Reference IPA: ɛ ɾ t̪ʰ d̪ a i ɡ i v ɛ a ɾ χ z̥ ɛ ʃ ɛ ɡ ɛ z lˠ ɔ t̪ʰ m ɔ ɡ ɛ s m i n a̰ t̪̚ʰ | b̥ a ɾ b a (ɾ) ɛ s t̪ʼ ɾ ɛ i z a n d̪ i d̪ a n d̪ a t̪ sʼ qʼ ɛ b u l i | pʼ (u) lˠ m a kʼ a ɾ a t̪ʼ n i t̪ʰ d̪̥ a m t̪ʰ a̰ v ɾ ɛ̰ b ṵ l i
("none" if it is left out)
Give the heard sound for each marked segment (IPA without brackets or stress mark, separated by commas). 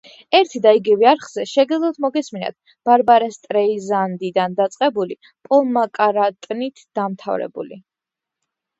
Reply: ɾ, ɔ